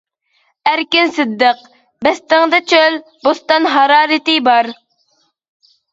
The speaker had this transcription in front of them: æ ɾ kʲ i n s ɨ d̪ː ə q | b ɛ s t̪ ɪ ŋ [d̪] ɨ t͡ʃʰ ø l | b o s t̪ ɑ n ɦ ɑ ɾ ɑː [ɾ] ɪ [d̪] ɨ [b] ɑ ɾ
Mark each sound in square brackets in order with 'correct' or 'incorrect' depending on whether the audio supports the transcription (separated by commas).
correct, correct, incorrect, correct